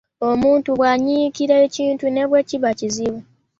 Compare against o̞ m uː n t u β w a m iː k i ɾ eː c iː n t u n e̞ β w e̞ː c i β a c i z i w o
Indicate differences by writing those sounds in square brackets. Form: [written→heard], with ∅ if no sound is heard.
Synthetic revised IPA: o̞ m uː n t u β w a [m→ɲ] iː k i ɾ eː c iː n t u n e̞ β w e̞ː c i β a c i z i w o